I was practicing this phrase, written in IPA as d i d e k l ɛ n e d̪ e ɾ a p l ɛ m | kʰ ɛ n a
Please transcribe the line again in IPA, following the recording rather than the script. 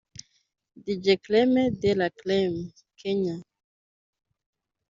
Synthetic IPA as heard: d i d͡ʒ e k l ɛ m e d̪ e l a k l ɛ m | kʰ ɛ ɲ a